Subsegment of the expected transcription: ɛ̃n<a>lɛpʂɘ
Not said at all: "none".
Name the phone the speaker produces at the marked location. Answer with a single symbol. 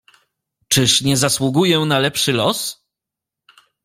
a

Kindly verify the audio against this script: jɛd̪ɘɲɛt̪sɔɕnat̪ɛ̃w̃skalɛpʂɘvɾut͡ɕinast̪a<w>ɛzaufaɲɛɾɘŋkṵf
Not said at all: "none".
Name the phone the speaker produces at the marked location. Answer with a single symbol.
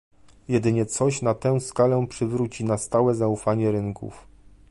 w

